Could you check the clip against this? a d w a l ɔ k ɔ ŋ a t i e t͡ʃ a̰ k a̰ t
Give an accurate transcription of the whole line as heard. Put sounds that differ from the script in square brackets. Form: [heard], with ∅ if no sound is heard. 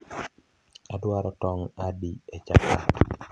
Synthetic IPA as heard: a d w a [ɾ] ɔ [t] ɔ ŋ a [d] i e t͡ʃ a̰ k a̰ t